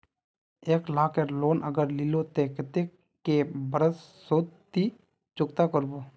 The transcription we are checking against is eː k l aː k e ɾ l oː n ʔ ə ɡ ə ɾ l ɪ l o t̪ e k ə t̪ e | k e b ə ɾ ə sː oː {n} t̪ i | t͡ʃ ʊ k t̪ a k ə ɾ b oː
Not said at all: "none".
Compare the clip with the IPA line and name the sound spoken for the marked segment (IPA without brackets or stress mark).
none